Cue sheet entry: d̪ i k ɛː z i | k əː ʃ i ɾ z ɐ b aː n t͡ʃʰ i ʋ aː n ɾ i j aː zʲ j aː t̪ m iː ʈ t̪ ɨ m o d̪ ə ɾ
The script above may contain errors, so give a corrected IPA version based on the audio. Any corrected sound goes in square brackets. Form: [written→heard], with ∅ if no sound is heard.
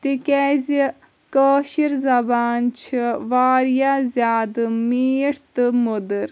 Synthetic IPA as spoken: [d̪→t̪] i k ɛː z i | k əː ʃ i ɾ z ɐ b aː n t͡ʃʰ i ʋ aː [n→∅] ɾ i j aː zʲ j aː [t̪→d̪] m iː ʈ t̪ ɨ m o d̪ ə ɾ